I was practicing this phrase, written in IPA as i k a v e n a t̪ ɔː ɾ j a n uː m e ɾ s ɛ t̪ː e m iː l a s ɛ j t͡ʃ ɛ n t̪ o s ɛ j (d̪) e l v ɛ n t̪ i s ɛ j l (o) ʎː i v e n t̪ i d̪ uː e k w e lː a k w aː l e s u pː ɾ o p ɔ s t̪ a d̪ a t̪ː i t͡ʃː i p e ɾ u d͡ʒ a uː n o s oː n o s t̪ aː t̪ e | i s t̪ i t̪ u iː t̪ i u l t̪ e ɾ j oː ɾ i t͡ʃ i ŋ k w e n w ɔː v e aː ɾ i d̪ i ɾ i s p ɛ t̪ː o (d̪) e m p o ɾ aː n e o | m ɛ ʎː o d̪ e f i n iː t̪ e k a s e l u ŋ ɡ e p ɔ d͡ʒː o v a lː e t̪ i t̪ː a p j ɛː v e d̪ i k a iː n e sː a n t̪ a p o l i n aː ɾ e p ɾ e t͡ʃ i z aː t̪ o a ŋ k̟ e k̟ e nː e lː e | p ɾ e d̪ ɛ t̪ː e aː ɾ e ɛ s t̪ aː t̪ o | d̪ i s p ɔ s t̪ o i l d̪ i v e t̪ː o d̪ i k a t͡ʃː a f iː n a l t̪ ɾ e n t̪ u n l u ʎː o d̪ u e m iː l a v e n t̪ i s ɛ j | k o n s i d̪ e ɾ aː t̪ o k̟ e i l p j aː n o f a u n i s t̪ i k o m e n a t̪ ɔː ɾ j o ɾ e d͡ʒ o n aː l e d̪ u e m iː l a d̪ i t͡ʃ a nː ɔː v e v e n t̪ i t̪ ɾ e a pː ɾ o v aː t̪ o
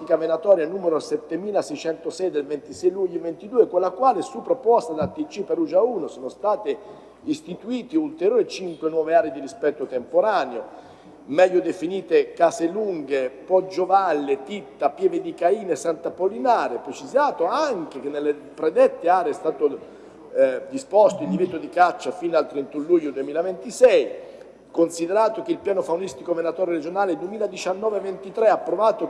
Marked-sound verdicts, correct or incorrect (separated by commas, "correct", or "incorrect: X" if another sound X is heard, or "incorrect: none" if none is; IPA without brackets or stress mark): correct, incorrect: u, incorrect: t̪